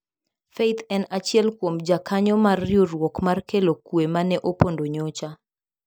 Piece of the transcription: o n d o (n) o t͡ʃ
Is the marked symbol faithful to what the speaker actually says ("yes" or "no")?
no